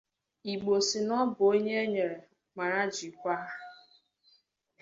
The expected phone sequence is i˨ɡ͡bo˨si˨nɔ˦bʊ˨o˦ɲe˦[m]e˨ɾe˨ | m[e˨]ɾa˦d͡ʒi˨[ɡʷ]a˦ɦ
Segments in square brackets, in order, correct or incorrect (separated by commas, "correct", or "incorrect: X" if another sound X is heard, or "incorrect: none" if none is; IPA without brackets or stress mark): incorrect: ɲ, incorrect: a˨, incorrect: kʷ